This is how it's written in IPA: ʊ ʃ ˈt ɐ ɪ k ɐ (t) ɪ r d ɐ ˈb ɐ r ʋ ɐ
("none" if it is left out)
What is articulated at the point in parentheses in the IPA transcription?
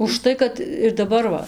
t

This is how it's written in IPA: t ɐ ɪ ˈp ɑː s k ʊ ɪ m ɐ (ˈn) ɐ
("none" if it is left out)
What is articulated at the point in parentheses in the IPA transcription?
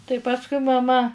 m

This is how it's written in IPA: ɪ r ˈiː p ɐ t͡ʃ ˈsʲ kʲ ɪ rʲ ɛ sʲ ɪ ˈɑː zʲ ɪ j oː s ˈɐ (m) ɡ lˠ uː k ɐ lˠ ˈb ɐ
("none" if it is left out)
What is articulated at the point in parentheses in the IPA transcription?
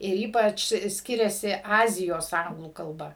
ŋ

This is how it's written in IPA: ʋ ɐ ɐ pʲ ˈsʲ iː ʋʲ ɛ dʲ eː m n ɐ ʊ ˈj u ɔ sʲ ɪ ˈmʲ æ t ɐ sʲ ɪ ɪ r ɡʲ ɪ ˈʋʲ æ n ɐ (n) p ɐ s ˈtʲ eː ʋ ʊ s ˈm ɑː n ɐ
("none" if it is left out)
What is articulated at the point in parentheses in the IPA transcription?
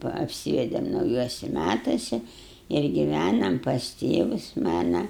m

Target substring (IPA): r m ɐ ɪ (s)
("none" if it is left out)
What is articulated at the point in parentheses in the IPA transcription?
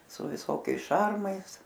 s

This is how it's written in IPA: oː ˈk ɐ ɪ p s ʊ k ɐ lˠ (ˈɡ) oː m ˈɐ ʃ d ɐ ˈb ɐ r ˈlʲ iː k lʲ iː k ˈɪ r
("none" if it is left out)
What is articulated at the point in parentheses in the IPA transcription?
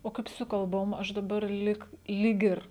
b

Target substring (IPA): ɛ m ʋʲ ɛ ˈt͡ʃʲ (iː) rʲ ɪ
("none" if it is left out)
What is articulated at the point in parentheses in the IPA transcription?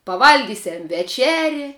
æː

